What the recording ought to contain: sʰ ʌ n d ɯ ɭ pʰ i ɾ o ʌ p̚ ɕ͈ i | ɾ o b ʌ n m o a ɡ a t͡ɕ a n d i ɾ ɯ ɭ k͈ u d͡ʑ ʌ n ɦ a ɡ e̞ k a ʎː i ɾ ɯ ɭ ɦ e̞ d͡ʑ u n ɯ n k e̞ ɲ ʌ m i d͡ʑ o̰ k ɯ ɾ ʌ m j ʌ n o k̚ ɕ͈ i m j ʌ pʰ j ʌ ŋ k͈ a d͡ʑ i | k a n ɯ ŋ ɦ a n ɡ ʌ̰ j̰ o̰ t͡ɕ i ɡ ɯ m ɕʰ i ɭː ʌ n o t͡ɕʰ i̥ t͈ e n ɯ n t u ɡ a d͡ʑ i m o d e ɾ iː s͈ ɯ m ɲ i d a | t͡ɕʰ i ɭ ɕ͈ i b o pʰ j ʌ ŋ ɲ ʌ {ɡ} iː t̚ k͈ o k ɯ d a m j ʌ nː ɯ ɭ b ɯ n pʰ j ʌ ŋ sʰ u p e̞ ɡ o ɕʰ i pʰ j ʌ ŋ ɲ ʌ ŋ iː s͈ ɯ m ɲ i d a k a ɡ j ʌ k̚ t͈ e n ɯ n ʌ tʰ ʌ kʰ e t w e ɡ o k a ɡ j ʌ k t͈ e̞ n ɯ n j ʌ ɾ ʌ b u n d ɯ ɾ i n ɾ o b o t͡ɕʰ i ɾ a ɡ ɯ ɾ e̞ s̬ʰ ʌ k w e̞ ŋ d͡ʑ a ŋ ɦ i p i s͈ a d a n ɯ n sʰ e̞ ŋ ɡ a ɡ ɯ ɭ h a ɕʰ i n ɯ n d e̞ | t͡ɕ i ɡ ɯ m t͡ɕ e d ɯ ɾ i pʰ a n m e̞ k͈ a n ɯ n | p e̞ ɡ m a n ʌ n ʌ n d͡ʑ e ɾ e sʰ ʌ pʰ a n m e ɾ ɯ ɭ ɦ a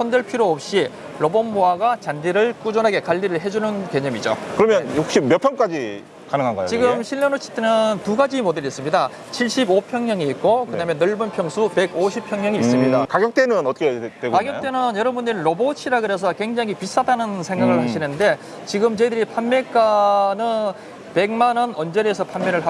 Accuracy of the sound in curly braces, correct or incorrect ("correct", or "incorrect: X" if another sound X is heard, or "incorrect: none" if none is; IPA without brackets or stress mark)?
incorrect: ŋ